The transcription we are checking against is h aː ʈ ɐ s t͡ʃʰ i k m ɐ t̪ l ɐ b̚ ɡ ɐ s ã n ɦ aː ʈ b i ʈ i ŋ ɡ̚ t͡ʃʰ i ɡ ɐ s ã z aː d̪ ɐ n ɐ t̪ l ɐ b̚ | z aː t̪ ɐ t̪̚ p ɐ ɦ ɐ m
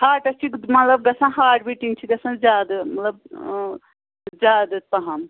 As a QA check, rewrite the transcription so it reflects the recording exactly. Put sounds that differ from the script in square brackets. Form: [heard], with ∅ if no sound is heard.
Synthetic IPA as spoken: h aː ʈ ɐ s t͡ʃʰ i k m ɐ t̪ l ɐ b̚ ɡ ɐ s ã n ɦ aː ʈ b i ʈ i ŋ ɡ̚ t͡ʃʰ i ɡ ɐ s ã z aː d̪ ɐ [m] ɐ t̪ l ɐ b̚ | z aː [d̪] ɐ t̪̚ p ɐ ɦ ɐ m